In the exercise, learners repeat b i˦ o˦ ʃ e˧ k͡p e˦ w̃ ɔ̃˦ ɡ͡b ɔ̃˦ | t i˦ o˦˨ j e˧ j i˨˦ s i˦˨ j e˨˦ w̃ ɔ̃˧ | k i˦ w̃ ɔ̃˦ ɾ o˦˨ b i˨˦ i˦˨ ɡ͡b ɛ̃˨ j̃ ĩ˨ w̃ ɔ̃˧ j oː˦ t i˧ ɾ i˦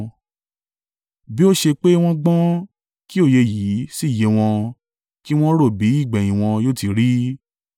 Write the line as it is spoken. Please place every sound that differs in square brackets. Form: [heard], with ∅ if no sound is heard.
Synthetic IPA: b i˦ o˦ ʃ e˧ k͡p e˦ w̃ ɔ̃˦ ɡ͡b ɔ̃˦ | [k] i˦ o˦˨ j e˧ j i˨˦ s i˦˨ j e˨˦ w̃ ɔ̃˧ | k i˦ w̃ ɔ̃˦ ɾ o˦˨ b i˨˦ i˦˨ ɡ͡b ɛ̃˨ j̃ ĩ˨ w̃ ɔ̃˧ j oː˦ t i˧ ɾ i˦